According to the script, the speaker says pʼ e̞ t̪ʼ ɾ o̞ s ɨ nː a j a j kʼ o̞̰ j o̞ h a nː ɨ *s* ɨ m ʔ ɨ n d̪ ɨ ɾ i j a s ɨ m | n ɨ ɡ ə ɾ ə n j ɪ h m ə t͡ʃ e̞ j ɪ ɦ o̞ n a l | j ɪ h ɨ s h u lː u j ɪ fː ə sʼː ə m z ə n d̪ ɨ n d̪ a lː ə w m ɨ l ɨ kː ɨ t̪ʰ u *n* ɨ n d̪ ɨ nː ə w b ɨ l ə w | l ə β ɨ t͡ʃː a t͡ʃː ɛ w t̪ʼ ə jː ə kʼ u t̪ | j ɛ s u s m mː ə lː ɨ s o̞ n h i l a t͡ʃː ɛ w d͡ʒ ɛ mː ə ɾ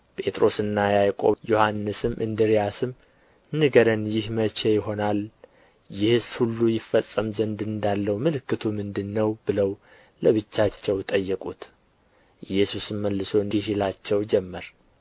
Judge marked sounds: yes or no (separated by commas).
yes, no